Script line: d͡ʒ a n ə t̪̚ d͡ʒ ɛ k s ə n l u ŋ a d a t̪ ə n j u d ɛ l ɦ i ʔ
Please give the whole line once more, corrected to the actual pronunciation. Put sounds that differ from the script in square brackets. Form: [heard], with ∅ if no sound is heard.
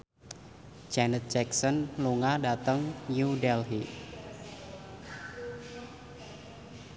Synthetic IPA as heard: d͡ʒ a n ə t̪̚ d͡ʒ ɛ k s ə n l u ŋ a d a t̪ ə [ŋ] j u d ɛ l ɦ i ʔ

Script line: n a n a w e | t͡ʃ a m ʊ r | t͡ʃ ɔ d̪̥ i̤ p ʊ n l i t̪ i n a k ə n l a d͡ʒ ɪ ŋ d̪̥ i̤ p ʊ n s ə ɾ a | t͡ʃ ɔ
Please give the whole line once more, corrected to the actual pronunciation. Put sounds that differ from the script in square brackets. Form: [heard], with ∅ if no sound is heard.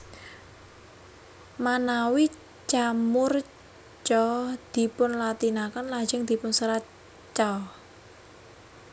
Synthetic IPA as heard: [m] a n a w [i] | t͡ʃ a m ʊ r | t͡ʃ ɔ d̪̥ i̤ p ʊ n l [a] t̪ i n a k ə n l a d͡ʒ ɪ ŋ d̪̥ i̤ p ʊ n s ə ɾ a | t͡ʃ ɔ

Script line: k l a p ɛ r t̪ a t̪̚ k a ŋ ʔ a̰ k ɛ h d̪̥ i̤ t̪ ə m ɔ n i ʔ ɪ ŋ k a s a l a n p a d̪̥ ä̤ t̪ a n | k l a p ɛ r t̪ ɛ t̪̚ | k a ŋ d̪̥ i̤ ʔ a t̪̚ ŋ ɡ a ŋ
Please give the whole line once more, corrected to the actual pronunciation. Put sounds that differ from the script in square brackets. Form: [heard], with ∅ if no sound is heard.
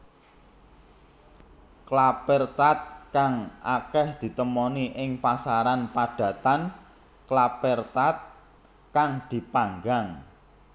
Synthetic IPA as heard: k l a p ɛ r t̪ a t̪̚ k a ŋ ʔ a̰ k ɛ h d̪̥ i̤ t̪ ə m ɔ n i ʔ ɪ ŋ [p] a s a [ɾ] a n p a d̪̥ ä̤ t̪ a n | k l a p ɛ r t̪ [a] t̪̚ | k a ŋ d̪̥ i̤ [p] a [∅] ŋ ɡ a ŋ

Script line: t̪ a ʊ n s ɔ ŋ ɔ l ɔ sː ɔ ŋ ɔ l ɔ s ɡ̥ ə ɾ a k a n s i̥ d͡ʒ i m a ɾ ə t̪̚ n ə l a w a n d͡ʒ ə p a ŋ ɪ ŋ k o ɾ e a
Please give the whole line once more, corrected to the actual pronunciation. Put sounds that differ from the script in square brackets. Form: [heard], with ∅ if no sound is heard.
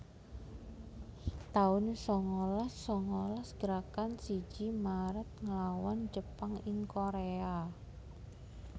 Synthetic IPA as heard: t̪ a ʊ n s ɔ ŋ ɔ l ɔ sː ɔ ŋ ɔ l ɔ s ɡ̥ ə ɾ a k a n s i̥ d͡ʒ i m a ɾ ə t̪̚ [ŋ] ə l a w a n d͡ʒ ə p a ŋ ɪ ŋ k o ɾ e a

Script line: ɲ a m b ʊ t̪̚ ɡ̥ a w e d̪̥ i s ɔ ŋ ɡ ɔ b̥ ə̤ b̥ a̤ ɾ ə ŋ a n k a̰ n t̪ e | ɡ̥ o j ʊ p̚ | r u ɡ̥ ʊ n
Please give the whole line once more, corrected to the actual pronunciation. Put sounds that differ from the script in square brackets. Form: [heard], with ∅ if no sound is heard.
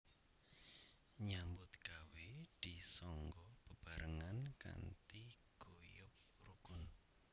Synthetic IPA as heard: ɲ a m b ʊ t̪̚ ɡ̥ a w e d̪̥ i s ɔ ŋ ɡ ɔ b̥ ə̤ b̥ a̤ ɾ ə ŋ a n k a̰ n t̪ [i] | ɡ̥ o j ʊ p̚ | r u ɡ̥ ʊ n

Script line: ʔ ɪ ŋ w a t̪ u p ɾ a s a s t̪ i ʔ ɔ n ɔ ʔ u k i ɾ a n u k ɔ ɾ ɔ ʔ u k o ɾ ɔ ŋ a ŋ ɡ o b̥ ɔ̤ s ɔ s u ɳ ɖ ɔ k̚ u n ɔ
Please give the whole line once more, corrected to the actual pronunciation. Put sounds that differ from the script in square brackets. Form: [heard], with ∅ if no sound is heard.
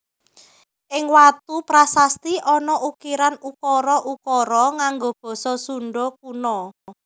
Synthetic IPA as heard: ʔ ɪ ŋ w a t̪ u p ɾ a s a s t̪ i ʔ ɔ n ɔ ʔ u k i ɾ a n u k ɔ ɾ ɔ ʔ u k [ɔ] ɾ ɔ ŋ a ŋ ɡ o b̥ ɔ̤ s ɔ s u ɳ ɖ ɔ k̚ u n ɔ

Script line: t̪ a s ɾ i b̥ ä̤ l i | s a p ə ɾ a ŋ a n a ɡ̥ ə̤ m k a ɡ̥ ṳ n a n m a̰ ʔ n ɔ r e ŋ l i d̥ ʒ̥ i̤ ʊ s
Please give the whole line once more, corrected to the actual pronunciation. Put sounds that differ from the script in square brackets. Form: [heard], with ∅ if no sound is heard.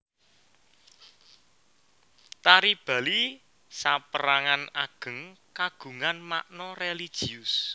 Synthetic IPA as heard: t̪ a [∅] ɾ i b̥ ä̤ l i | s a p ə ɾ a ŋ a n a ɡ̥ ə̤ [ŋ] k a ɡ̥ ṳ [ŋ] a n m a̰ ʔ n ɔ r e [∅] l i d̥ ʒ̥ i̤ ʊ s

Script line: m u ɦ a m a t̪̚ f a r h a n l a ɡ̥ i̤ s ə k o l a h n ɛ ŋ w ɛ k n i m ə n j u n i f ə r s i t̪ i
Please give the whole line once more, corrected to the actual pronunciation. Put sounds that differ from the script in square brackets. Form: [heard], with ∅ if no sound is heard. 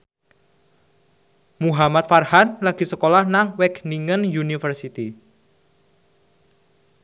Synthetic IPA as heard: m u ɦ a m a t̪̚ f a r h a n l a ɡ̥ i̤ s ə k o l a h n [a] ŋ w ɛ k n i [ŋ] ə n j u n i f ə r s i t̪ i

